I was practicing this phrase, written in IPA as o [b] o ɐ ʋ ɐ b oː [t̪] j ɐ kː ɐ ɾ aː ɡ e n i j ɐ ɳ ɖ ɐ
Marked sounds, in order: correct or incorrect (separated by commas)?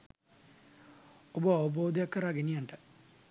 correct, incorrect